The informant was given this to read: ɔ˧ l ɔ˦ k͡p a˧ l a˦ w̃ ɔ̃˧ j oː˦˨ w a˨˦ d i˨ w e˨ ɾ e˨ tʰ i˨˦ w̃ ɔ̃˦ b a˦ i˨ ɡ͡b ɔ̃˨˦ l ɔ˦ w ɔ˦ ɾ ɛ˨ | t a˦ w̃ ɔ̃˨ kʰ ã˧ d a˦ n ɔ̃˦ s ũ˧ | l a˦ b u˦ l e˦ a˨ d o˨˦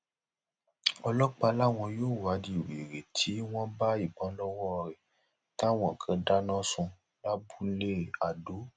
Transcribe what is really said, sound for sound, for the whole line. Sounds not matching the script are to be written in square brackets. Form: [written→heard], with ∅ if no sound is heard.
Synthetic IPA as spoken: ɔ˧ l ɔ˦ k͡p a˧ l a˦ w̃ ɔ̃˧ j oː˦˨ w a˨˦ d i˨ w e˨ ɾ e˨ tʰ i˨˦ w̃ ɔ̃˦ b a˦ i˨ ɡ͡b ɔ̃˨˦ l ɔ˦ w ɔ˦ ɾ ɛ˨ | t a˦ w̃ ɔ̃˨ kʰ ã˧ d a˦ n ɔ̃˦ s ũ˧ | l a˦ b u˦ l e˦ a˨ d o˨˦